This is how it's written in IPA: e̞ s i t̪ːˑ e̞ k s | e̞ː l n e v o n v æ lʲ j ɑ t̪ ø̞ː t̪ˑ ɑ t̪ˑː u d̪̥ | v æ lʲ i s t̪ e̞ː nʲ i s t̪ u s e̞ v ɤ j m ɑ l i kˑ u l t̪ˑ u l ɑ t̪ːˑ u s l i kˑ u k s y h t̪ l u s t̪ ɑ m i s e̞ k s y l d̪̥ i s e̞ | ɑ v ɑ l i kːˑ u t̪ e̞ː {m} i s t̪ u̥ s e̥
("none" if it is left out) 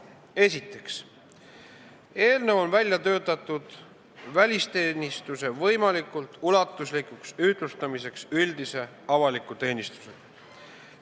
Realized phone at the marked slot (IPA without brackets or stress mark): n